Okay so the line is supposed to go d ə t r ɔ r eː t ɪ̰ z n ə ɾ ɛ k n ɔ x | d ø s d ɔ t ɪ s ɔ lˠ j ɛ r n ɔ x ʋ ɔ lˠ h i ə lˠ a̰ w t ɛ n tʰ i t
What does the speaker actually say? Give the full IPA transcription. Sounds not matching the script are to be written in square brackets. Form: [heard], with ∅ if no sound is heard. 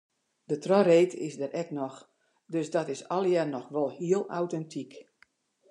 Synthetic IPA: d ə t r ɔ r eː t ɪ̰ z [d] ə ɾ ɛ k n ɔ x | d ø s d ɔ t ɪ s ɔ lˠ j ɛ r n ɔ x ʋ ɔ lˠ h i ə lˠ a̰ w t ɛ n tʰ i [k]